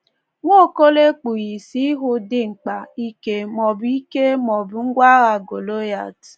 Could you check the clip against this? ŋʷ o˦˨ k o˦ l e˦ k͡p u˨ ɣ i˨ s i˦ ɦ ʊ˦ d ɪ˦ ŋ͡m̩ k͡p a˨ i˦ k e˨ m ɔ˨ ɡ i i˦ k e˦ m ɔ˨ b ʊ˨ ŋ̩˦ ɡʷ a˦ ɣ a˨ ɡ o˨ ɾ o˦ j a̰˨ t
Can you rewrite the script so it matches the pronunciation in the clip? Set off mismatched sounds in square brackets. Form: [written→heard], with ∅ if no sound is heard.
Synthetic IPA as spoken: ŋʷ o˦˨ k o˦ l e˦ k͡p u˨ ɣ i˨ s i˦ ɦ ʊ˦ d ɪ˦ ŋ͡m̩ k͡p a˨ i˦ k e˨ m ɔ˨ [ɡ→b] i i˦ k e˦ m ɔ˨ b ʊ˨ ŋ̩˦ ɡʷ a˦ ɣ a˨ ɡ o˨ [ɾ→l] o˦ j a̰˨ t

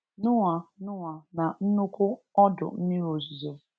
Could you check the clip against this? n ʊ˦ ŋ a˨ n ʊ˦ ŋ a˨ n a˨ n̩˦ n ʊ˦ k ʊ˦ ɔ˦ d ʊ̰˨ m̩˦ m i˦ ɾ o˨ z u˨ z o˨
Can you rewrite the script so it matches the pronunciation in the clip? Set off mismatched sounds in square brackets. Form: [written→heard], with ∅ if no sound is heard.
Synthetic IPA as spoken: n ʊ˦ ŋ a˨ n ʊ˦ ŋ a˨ n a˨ n̩˦ n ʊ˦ k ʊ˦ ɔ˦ d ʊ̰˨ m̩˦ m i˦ ɾ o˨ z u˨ z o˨

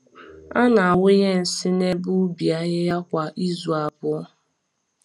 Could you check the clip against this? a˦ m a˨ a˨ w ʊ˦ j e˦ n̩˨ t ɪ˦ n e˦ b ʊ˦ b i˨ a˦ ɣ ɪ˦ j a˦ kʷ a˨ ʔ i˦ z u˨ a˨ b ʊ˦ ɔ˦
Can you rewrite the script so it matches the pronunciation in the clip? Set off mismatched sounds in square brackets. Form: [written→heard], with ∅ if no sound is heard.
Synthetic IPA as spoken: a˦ [m→n] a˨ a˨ w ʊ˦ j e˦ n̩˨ [t→s] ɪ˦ n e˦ b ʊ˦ b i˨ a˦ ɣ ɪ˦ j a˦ kʷ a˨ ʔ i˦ z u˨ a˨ b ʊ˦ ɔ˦

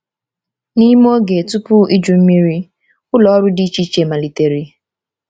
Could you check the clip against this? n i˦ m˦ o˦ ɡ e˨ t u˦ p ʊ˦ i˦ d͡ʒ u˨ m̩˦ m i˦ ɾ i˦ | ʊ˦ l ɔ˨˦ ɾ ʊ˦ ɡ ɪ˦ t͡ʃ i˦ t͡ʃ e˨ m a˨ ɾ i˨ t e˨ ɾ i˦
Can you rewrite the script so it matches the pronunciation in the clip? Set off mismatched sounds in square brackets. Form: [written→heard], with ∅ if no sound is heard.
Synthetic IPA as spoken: n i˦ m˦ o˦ ɡ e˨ t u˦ p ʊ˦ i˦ d͡ʒ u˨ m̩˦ m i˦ ɾ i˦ | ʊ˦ l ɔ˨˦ ɾ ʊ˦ [ɡ→d] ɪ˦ t͡ʃ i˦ t͡ʃ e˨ m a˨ [ɾ→l] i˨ t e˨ ɾ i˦

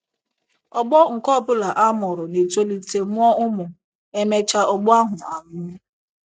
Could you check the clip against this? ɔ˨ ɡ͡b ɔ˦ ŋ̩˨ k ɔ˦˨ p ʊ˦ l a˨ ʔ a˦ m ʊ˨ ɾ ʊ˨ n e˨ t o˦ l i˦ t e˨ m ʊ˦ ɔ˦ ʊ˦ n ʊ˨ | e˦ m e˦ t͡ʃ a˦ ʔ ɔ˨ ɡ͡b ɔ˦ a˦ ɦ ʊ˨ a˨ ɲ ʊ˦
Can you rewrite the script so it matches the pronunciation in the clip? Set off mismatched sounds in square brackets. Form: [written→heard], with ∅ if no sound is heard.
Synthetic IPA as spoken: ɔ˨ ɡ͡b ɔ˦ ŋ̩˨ k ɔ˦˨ p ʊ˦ l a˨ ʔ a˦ m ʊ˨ ɾ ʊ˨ n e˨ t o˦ l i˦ t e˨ m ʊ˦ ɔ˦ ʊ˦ [n→m] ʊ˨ | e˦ m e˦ t͡ʃ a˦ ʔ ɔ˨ ɡ͡b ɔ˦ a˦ ɦ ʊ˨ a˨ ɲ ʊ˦

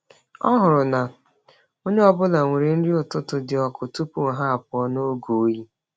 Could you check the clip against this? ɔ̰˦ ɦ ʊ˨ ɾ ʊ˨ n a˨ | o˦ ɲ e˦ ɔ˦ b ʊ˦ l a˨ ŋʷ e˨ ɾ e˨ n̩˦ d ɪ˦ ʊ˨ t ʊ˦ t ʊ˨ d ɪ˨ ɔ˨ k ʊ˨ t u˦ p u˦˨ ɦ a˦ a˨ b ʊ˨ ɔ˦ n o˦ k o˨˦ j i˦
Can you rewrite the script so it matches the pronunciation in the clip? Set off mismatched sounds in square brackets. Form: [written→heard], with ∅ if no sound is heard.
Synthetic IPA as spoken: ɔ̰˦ ɦ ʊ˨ ɾ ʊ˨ n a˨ | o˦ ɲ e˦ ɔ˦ b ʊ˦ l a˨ ŋʷ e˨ ɾ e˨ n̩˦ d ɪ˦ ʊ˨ t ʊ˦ t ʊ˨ d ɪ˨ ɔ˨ k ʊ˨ t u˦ p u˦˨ ɦ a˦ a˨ [b→p] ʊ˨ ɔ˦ n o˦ [k→ɡ] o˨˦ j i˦

